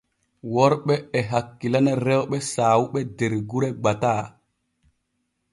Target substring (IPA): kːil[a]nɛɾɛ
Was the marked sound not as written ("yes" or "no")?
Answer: no